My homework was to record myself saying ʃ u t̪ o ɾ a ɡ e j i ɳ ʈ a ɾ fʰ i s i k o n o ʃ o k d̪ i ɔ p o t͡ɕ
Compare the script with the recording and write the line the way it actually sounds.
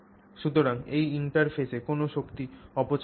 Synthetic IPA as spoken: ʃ u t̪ o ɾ a ŋ e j i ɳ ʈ a ɾ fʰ e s e k o n o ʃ o k t̪ i ɔ p o t͡ɕ